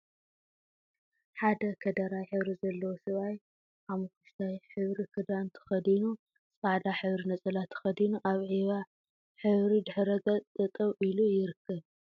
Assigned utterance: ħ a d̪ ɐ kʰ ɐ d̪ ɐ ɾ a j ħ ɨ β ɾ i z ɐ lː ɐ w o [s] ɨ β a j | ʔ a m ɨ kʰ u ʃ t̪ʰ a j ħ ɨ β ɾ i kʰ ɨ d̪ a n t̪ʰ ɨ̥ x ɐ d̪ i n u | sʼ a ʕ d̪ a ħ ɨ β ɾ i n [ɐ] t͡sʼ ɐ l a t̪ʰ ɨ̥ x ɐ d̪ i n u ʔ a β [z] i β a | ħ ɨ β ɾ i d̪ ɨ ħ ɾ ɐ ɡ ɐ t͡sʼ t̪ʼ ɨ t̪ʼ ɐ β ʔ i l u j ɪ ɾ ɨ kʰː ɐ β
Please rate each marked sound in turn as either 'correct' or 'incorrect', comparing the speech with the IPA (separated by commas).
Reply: correct, correct, incorrect